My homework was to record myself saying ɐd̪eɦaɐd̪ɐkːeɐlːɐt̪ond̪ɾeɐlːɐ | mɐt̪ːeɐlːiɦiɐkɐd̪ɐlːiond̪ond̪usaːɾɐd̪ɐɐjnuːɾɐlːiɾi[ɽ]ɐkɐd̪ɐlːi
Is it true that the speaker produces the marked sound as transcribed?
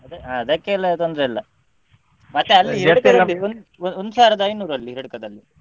yes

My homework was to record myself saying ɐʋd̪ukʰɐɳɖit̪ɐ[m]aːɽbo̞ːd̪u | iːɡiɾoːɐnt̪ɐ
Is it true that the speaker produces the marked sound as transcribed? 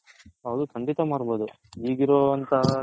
yes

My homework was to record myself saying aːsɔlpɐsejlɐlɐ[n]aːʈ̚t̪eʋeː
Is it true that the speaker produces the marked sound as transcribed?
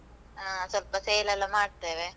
no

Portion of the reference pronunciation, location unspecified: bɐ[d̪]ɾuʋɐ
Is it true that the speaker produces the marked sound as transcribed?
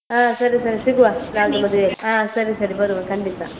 no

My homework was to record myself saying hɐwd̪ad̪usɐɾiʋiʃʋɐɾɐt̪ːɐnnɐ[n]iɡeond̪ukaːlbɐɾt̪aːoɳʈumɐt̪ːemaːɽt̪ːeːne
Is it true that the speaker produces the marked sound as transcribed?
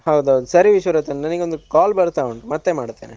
yes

